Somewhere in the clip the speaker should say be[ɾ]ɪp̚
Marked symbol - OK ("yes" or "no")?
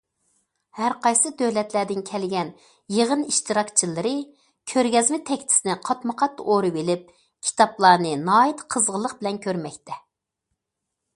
no